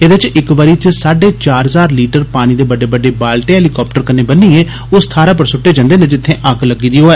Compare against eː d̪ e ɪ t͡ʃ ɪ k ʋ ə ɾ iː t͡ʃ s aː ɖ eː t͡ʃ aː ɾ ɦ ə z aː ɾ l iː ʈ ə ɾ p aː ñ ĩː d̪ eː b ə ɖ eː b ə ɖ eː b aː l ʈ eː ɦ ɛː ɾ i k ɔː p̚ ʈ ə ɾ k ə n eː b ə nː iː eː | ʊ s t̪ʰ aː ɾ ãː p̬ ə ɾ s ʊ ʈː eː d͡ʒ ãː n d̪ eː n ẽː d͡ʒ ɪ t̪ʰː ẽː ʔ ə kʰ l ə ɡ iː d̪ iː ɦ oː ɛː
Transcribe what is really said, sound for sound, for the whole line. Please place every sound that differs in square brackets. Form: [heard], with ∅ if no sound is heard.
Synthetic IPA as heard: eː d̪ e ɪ t͡ʃ ɪ k ʋ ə ɾ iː t͡ʃ s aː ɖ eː t͡ʃ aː ɾ ɦ ə z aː ɾ l iː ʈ ə ɾ p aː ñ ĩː d̪ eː b ə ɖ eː b ə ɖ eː b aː l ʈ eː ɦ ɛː [l] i k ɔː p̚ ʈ ə ɾ k ə n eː b ə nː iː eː | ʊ s t̪ʰ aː ɾ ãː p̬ ə ɾ s ʊ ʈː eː d͡ʒ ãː n d̪ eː n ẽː d͡ʒ ɪ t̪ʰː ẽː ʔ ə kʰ l ə ɡ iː d̪ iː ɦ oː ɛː